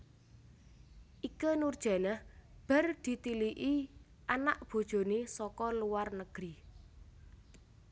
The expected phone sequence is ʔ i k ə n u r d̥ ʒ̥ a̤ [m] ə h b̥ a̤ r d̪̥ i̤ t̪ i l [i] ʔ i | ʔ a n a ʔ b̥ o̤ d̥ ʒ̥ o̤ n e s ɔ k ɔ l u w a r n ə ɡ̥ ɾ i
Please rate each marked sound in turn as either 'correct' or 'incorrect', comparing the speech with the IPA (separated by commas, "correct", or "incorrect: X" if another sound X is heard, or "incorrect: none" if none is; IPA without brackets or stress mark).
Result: incorrect: n, correct